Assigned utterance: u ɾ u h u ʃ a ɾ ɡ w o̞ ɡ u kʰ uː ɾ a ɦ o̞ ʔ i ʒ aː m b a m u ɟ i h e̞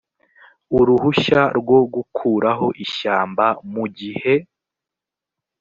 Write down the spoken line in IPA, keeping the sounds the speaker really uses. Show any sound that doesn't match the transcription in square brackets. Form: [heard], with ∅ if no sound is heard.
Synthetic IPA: u ɾ u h u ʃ a ɾ ɡ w o̞ ɡ u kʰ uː ɾ a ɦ o̞ ʔ i [ʃ] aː m b a m u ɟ i h e̞

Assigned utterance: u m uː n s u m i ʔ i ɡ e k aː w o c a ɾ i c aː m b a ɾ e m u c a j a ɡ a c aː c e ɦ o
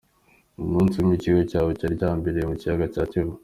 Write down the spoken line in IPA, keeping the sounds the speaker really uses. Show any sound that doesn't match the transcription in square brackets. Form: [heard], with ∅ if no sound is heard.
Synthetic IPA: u m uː n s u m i [c] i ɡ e [c] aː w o c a ɾ i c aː m b [e] ɾ e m u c [i] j a ɡ a c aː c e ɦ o

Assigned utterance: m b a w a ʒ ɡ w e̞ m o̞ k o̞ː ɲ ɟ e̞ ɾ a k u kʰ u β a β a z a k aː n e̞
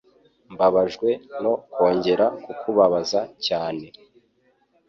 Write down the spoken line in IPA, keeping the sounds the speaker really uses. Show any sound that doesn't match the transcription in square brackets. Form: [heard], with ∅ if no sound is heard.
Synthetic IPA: m b a [β] a ʒ ɡ w e̞ [n] o̞ k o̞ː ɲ ɟ e̞ ɾ a k u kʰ u β a β a z a [c] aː n e̞

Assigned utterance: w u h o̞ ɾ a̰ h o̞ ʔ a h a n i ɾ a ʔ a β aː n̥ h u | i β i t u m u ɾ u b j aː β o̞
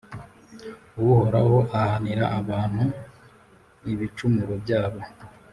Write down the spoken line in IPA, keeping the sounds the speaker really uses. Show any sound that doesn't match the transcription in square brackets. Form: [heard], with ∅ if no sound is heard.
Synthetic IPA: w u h o̞ ɾ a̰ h o̞ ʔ a h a n i ɾ a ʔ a β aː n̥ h u | i β i [t͡ʃ] u m u ɾ [o] b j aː β o̞

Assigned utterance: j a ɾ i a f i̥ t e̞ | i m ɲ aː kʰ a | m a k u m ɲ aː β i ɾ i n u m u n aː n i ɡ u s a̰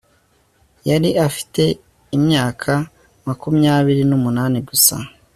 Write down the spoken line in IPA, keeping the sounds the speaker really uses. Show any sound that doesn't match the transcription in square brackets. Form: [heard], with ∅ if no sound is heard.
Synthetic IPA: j a ɾ i a f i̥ t e̞ | i m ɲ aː kʰ a | m a k u m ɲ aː β i ɾ i n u m u n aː n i ɡ u s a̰

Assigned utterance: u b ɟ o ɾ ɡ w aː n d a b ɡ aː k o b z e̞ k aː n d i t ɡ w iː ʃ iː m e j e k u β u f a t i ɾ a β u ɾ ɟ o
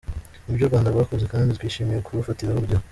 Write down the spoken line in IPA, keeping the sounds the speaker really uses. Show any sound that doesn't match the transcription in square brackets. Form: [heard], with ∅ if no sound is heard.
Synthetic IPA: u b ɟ o ɾ ɡ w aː n d a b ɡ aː k o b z e̞ k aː n d i t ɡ w iː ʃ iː m [i] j e k u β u f a t i ɾ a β u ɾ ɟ o

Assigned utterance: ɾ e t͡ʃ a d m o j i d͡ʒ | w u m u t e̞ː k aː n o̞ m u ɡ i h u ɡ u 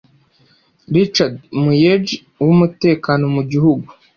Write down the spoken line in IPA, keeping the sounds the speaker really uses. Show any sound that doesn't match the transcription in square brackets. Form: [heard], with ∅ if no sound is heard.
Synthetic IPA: ɾ [i] t͡ʃ a d m [u] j [e] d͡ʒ | w u m u t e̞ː k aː n o̞ m u [ɟ] i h u ɡ u

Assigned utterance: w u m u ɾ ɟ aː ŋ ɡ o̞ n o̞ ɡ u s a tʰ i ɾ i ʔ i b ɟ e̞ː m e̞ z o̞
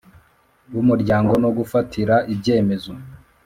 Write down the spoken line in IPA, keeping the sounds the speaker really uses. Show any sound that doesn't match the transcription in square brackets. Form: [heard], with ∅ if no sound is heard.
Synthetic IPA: w u m u ɾ ɟ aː ŋ ɡ o̞ n o̞ ɡ u [f] a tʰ i ɾ [a] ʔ i b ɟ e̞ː m e̞ z o̞

